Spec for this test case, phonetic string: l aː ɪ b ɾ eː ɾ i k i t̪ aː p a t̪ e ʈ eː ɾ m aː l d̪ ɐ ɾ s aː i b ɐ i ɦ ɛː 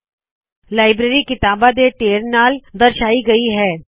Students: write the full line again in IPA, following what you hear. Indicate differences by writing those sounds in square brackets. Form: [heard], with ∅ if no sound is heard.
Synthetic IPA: l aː ɪ b ɾ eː ɾ i k [ɪ] t̪ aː [b] a [d̪] e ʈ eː ɾ [n] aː l d̪ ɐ ɾ [ʃ] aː i [ɡ] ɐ i ɦ ɛː